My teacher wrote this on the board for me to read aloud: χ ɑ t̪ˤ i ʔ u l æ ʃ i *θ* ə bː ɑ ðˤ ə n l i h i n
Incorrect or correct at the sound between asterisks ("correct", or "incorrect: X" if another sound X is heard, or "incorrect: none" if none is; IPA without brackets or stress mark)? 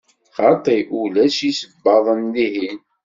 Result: incorrect: s